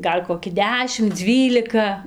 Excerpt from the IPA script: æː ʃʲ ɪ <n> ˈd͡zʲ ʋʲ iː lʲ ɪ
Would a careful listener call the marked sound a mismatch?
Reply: yes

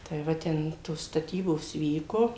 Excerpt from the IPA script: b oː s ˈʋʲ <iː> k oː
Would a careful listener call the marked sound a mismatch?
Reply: no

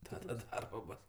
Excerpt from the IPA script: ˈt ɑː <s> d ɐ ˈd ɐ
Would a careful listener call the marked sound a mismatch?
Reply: yes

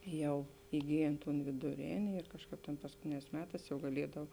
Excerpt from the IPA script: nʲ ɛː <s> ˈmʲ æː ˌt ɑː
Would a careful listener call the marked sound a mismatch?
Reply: no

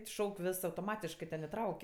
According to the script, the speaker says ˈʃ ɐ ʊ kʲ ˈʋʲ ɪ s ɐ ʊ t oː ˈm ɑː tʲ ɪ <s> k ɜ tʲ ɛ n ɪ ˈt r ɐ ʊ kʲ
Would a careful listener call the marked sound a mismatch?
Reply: yes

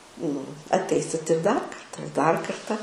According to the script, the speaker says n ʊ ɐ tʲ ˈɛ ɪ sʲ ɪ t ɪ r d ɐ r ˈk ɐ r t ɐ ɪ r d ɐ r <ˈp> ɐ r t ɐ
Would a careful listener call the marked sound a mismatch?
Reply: yes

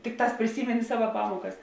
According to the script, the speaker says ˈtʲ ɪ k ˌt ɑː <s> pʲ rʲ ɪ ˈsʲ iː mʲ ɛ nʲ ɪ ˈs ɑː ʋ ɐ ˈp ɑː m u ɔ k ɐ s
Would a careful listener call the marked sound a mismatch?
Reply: no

